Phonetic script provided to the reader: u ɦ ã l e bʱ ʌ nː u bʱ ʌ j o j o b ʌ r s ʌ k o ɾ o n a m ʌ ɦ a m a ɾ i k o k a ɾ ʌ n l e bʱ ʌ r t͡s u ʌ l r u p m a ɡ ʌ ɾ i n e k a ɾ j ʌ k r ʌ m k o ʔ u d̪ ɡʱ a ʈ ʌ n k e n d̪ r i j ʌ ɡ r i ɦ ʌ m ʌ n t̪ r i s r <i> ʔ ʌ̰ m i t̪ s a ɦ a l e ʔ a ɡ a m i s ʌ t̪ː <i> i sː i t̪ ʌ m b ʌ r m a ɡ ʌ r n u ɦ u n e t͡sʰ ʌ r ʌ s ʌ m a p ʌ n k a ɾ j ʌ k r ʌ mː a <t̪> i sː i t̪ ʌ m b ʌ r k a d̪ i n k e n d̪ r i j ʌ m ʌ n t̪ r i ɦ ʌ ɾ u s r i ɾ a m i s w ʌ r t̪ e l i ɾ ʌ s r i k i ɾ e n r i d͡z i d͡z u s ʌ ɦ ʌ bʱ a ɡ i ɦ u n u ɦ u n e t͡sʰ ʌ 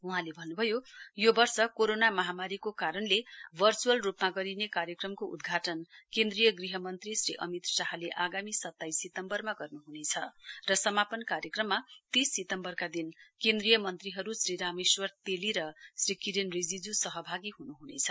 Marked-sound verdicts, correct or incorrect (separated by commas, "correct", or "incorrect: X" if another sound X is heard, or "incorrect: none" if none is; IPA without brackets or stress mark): correct, incorrect: a, correct